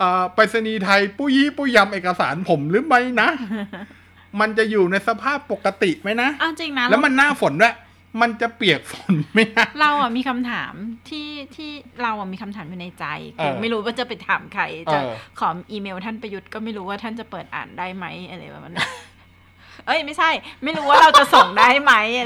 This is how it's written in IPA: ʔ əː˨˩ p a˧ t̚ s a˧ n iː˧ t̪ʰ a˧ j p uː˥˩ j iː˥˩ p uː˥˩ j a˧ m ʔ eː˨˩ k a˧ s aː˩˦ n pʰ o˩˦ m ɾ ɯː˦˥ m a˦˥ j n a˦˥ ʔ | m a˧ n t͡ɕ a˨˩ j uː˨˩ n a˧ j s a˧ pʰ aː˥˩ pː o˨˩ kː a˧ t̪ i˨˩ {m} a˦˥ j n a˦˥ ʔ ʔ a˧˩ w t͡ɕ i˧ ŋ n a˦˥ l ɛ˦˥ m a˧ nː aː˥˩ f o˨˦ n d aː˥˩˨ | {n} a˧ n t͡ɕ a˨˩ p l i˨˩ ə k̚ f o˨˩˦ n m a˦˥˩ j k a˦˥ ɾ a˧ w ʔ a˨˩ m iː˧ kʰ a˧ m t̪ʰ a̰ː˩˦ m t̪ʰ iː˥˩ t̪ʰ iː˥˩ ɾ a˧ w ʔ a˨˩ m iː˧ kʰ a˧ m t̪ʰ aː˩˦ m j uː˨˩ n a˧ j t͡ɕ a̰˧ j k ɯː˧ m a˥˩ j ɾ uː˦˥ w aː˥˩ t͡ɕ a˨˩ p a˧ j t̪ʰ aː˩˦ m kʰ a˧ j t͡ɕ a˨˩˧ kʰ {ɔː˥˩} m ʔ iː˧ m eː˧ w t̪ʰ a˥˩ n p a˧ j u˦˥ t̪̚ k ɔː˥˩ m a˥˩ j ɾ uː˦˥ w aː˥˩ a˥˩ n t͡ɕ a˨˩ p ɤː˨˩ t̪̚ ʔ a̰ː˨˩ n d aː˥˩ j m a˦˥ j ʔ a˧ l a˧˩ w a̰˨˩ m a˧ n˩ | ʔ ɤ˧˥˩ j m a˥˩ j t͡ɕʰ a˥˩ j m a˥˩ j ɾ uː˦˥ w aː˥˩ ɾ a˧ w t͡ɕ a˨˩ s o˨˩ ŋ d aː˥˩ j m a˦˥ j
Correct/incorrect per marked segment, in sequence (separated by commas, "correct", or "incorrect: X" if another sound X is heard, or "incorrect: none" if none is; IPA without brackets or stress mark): correct, incorrect: m, incorrect: ɔː˩˦